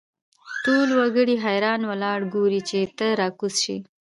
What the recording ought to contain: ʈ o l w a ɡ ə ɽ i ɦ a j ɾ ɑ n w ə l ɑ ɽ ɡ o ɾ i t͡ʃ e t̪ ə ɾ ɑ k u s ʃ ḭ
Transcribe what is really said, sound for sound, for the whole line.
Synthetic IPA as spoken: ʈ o l w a ɡ ə ɽ i ɦ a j ɾ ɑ n w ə l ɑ ɽ ɡ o ɾ i t͡ʃ e t̪ ə ɾ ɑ k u s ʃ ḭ